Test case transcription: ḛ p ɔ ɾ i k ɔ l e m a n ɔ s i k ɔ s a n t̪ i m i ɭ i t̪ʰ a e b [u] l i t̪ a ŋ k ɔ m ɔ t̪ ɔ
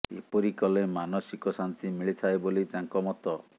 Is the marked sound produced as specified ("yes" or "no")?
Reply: no